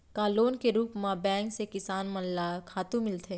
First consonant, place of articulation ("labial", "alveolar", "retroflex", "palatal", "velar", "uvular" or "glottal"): velar